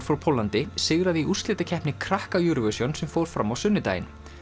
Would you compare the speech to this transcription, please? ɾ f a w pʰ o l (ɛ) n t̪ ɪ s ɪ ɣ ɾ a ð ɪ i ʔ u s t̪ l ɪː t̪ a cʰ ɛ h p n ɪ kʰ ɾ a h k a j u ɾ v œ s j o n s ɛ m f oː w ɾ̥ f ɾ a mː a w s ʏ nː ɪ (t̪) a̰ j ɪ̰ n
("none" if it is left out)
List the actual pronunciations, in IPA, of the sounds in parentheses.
a, t̪

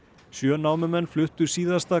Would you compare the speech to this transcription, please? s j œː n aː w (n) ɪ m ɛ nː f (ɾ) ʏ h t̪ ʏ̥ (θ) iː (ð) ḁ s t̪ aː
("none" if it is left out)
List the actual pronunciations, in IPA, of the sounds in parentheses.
m, l, s, ð

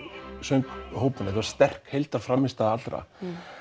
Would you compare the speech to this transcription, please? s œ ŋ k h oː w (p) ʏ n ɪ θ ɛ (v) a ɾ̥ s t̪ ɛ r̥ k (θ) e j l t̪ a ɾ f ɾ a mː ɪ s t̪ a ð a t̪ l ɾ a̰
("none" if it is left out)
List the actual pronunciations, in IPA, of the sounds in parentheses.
p, v, h

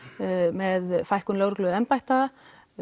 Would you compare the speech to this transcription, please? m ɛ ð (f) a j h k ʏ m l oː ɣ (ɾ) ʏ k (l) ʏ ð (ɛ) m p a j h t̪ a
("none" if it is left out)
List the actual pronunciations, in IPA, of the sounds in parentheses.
f, ɾ, l, ɛ

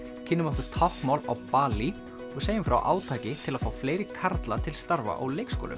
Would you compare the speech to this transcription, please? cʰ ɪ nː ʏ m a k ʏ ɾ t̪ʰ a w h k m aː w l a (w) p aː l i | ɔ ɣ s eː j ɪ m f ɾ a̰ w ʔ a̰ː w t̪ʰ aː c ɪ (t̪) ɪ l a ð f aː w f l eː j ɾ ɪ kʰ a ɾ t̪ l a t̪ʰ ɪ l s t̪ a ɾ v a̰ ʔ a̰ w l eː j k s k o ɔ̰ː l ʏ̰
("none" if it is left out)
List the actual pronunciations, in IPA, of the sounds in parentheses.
w, t̪ʰ

